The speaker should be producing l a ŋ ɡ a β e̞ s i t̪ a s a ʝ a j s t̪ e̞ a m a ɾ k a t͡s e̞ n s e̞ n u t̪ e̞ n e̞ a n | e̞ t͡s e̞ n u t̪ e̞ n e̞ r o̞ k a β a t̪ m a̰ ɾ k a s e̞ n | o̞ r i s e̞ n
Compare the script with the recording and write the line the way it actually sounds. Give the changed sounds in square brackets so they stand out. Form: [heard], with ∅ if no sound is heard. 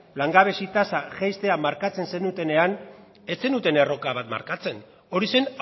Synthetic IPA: l a ŋ ɡ a β e̞ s i t̪ a s a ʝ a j s t̪ e̞ a m a ɾ k a t͡s e̞ n s e̞ n u t̪ e̞ n e̞ a n | e̞ t͡s e̞ n u t̪ e̞ n e̞ r o̞ k a β a t̪ m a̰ ɾ k a [t͡s] e̞ n | o̞ [ɾ] i s e̞ n